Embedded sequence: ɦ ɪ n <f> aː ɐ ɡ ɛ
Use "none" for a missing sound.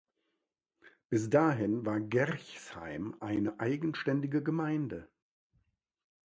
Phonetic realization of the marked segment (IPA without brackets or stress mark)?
v